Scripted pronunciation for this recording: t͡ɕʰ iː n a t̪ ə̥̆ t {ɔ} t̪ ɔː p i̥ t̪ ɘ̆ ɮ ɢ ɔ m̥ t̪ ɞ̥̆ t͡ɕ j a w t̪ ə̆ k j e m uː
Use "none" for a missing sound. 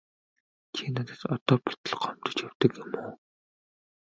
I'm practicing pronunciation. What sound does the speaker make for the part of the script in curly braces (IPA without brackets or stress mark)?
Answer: ɔ